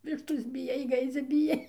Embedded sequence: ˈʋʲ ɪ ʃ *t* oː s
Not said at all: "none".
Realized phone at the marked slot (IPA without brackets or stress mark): t